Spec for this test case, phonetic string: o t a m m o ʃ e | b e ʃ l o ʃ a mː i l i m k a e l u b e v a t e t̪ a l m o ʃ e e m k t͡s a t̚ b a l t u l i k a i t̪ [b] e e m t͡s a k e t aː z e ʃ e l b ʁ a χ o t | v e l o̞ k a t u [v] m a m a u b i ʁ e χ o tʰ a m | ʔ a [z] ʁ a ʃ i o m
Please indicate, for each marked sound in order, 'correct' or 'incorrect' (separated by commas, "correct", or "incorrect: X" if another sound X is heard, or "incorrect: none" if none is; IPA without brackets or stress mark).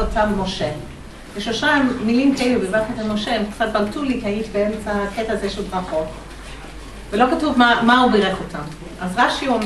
correct, correct, correct